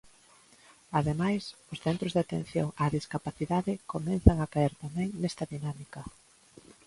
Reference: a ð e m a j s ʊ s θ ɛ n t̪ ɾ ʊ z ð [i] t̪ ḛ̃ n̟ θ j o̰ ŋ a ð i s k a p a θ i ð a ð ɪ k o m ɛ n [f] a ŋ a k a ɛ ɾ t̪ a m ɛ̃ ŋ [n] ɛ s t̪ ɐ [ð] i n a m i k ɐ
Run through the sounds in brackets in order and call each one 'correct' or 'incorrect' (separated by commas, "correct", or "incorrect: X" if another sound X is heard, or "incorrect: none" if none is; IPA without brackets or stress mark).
incorrect: a, incorrect: θ, correct, correct